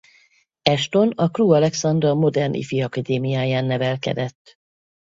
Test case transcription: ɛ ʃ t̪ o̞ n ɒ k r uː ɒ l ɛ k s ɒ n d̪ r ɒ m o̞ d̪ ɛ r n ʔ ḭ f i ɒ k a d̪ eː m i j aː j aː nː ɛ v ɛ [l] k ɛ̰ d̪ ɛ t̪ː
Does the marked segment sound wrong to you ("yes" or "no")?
no